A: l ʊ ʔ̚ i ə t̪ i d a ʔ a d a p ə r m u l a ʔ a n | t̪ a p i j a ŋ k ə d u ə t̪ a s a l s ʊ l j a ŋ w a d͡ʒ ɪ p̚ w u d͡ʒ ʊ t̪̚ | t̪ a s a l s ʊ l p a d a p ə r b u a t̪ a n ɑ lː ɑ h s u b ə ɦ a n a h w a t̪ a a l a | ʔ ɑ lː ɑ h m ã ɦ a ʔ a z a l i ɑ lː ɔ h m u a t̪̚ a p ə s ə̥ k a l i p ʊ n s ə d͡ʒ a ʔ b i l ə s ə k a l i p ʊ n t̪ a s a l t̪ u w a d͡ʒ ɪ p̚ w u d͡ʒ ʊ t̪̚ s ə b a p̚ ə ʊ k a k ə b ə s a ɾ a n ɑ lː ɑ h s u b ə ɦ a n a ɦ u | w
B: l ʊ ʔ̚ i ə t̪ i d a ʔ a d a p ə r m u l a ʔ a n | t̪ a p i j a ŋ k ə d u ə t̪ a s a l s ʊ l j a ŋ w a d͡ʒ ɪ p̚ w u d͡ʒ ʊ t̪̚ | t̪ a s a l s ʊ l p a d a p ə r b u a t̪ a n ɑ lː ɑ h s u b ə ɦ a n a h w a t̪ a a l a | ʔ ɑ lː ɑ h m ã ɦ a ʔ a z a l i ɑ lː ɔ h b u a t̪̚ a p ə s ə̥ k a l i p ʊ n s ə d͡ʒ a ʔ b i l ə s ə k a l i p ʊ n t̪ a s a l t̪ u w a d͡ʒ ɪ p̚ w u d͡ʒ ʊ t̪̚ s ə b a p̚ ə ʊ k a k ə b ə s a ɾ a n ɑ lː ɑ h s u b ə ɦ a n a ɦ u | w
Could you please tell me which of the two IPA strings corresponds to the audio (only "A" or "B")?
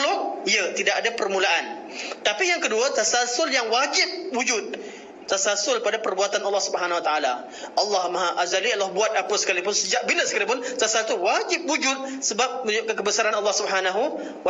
B